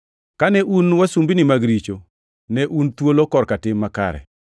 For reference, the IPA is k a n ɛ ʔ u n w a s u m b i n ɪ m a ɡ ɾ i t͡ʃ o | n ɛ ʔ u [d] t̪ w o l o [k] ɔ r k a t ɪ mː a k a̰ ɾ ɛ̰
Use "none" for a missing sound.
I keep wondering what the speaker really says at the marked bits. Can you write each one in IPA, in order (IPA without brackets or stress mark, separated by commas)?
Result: n, k